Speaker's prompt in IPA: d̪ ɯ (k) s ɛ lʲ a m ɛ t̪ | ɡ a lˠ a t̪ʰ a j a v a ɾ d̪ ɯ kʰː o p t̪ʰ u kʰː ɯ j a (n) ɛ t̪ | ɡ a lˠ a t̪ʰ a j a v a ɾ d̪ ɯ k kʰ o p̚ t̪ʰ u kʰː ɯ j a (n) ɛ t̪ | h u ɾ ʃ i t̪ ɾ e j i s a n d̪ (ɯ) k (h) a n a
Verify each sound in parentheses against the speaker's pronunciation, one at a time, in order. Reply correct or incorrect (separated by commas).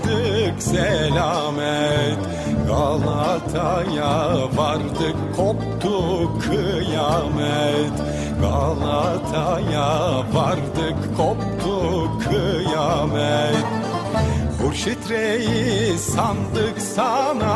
correct, incorrect, incorrect, correct, incorrect